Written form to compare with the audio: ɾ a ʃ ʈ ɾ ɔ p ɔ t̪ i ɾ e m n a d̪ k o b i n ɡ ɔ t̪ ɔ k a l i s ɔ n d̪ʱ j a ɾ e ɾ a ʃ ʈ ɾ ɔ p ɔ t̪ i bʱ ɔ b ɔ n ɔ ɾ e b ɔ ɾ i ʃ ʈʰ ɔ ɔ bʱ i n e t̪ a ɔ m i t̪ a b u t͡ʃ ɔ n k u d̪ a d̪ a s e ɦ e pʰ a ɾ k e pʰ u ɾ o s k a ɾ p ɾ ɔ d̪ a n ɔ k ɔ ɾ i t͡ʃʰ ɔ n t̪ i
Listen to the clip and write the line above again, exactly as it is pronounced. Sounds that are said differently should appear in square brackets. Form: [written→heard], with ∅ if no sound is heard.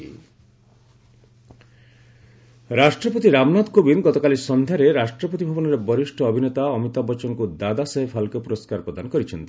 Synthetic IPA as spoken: ɾ a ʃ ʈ ɾ ɔ p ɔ t̪ i ɾ [e→a] m n a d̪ k o b i n ɡ ɔ t̪ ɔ k a l i s ɔ n d̪ʱ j a ɾ e ɾ a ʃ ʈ ɾ ɔ p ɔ t̪ i bʱ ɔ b ɔ n ɔ ɾ e b ɔ ɾ i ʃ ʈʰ ɔ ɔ bʱ i n e t̪ a ɔ m i t̪ a b [u→ɔ] t͡ʃ ɔ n k u d̪ a d̪ a s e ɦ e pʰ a [ɾ→l] k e [pʰ→p] u ɾ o s k a ɾ p ɾ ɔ d̪ a n ɔ k ɔ ɾ i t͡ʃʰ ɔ n t̪ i